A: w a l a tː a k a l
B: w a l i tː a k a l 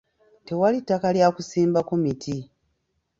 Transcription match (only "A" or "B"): B